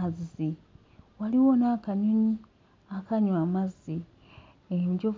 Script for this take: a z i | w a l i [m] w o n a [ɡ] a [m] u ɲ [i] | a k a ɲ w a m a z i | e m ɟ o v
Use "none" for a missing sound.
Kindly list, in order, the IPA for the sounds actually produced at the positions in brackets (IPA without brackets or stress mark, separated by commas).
none, k, ɲ, i